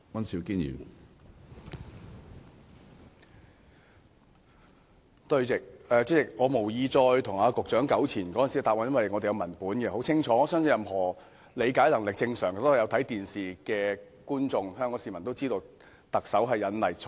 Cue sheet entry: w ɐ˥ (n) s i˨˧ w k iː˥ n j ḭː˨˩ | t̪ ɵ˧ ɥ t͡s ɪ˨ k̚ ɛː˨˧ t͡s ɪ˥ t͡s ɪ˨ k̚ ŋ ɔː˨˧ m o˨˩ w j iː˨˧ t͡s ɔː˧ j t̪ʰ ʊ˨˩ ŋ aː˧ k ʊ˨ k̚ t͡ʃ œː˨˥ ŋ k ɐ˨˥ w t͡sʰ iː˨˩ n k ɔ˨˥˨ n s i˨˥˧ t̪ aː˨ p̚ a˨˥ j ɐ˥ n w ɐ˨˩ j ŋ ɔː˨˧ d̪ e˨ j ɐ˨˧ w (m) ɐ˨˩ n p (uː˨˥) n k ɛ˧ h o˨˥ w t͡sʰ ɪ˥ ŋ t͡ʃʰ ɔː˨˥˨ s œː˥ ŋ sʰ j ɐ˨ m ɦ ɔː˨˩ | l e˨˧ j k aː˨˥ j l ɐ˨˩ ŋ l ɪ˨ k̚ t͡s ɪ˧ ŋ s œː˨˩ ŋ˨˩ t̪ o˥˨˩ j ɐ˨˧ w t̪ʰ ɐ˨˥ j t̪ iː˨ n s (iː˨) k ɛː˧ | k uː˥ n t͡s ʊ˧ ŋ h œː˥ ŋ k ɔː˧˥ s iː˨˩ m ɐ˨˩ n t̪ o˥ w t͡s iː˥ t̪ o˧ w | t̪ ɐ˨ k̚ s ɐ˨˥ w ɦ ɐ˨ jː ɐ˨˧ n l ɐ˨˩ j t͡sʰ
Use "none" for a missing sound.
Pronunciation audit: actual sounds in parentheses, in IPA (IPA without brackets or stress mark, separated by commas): n, m, uː˨˥, iː˨